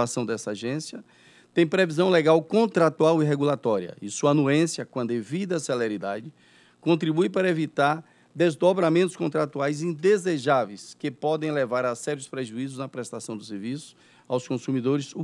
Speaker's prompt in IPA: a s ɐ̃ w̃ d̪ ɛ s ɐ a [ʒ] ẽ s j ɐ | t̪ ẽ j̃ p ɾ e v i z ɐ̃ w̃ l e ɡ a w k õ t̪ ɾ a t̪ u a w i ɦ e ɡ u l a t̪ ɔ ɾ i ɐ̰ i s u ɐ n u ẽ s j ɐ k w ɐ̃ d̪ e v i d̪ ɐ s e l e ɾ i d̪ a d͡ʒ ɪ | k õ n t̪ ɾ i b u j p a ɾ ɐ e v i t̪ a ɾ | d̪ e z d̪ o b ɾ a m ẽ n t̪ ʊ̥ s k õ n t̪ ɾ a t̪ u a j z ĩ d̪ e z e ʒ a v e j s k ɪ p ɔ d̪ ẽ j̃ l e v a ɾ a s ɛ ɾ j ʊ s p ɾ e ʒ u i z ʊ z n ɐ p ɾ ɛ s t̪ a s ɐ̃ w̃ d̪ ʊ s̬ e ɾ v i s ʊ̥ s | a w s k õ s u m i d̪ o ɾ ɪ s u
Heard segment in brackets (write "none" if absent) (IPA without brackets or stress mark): ʒ